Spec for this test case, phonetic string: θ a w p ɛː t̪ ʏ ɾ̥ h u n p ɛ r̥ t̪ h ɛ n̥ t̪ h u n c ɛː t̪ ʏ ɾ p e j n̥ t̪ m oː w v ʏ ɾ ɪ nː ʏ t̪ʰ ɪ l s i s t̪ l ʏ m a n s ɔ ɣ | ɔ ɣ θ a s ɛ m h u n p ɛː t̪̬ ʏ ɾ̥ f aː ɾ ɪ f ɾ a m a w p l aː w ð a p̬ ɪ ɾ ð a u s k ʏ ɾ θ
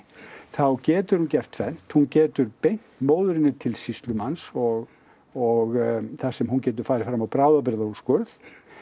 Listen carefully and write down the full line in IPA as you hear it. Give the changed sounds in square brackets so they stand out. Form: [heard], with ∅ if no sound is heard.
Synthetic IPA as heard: θ a w [c] ɛː t̪ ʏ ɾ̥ h u n [c] ɛ r̥ t̪ [f] ɛ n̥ t̪ h u n c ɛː t̪ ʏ ɾ p e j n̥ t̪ m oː w [ð] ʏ ɾ ɪ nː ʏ t̪ʰ ɪ l s i s t̪ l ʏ m a n s ɔ ɣ | ɔ ɣ θ a s ɛ m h u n [c] ɛː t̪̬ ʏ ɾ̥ f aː ɾ ɪ f ɾ a m a w p [ɾ] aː w ð a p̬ ɪ ɾ ð a u s k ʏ ɾ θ

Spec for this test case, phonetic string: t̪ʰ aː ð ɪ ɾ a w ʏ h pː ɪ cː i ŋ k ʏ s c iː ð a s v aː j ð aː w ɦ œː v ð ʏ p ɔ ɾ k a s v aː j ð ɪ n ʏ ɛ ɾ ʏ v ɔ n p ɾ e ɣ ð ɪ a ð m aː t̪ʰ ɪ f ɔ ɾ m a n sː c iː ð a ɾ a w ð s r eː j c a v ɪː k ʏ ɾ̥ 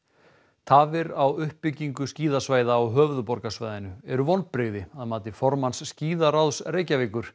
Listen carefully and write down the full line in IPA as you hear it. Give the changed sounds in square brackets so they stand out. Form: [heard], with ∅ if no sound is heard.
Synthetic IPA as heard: t̪ʰ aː [v] ɪ ɾ a w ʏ h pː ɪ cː i ŋ k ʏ s c iː ð a s v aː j ð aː w ɦ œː v ð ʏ p ɔ ɾ k a s v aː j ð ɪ n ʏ ɛ ɾ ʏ v ɔ n p ɾ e ɣ ð ɪ a ð m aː [t̪] ɪ f ɔ ɾ m a n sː c iː ð a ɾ a w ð s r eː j c a v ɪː k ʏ ɾ̥

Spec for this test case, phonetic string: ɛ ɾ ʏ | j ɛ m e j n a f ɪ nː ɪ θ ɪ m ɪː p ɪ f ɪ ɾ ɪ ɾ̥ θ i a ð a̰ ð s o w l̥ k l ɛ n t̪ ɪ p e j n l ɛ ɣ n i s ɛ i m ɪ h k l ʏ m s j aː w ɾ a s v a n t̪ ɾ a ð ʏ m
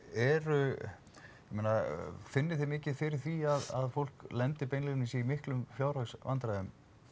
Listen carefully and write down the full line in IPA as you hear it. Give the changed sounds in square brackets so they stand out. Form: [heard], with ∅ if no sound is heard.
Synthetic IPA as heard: ɛ ɾ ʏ | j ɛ m e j n a f ɪ nː ɪ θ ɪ m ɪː [c] ɪ f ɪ ɾ ɪ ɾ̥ θ i a ð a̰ ð [f] o w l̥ k l ɛ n t̪ ɪ p e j n l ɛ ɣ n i s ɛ i m ɪ h k l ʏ m [f] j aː w ɾ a s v a n t̪ ɾ a ð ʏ m

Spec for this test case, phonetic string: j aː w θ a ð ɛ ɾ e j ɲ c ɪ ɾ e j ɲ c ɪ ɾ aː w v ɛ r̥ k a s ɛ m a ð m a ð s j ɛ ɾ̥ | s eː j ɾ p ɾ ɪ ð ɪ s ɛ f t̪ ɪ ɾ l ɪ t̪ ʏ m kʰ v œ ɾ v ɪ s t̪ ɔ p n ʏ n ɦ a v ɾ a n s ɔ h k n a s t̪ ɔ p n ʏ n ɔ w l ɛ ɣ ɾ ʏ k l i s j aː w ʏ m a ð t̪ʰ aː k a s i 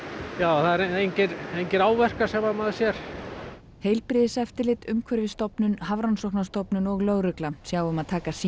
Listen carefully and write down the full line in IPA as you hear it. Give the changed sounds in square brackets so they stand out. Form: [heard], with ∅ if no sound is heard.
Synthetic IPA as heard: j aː w θ a ð ɛ ɾ e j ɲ c ɪ ɾ e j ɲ c ɪ ɾ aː w v ɛ r̥ k a s ɛ m a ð m a ð s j ɛ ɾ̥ | [h] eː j [l] p ɾ ɪ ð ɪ s ɛ f t̪ ɪ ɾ l ɪ t̪ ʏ m kʰ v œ ɾ v ɪ s t̪ ɔ p n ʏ n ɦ a v ɾ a n s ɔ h k n a s t̪ ɔ p n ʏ n ɔ [ɣ] l [œ] ɣ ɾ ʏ k l [a] s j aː w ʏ m a ð t̪ʰ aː k a s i

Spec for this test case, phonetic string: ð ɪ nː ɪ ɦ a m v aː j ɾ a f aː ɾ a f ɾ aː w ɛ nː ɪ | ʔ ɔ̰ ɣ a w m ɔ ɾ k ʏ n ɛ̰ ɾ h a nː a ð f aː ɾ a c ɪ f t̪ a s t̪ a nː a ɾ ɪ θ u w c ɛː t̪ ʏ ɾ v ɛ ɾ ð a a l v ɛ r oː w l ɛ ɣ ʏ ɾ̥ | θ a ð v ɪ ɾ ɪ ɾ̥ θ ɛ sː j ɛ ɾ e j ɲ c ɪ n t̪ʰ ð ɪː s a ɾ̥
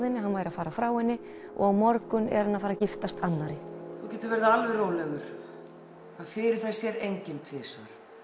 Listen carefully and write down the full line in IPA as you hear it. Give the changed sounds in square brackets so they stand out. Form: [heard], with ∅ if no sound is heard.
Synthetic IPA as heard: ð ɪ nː ɪ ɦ a [n] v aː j ɾ a f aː ɾ a f ɾ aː w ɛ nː ɪ | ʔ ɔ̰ ɣ a w m ɔ ɾ k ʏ n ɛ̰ ɾ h a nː a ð f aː ɾ a c ɪ f t̪ a s t̪ a nː a ɾ ɪ θ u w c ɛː t̪ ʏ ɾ v ɛ ɾ ð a a l v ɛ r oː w l ɛ ɣ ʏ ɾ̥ | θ a ð [f] ɪ ɾ ɪ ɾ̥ θ ɛ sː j ɛ ɾ e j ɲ c ɪ n t̪ʰ [v] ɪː s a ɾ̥

